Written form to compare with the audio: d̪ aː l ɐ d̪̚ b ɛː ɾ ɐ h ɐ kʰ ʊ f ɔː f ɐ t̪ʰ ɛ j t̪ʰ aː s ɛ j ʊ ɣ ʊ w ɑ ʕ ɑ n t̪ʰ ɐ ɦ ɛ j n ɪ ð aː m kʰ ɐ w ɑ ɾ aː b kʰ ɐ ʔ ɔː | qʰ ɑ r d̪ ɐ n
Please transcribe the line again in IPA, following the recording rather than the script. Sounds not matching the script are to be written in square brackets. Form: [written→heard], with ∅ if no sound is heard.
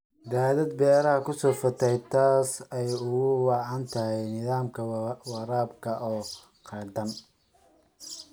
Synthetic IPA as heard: d̪ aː l ɐ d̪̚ b ɛː ɾ ɐ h ɐ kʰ ʊ [f→s] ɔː f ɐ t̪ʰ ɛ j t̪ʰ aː s ɛ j ʊ ɣ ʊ w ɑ ʕ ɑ n t̪ʰ ɐ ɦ ɛ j n ɪ ð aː m kʰ ɐ w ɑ ɾ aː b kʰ ɐ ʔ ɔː | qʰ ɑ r d̪ ɐ n